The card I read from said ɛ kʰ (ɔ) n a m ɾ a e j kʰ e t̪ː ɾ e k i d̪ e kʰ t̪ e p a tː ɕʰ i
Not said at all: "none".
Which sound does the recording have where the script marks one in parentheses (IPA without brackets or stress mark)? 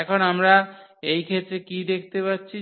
o